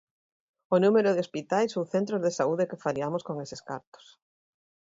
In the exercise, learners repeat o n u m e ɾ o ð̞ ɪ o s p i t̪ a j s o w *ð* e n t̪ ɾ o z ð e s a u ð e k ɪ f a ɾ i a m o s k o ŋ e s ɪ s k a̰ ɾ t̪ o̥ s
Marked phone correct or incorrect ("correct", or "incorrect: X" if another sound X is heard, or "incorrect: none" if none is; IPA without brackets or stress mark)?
incorrect: θ